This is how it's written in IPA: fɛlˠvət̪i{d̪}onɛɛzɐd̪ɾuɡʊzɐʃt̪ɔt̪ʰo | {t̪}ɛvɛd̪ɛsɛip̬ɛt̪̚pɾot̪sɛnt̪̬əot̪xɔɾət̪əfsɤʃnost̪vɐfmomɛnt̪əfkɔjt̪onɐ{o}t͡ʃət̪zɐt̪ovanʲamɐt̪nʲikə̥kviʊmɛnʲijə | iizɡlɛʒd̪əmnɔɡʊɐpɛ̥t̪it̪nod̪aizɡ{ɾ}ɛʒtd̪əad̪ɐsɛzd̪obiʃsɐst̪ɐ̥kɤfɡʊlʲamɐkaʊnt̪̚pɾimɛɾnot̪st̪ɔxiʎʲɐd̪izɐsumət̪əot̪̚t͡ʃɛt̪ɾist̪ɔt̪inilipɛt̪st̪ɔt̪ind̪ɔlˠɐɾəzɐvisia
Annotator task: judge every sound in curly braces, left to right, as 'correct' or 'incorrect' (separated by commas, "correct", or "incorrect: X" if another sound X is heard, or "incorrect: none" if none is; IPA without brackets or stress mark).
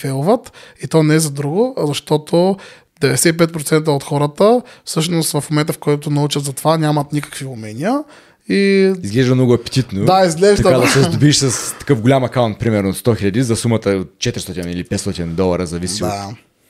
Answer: incorrect: t̪, incorrect: d̪, incorrect: u, incorrect: l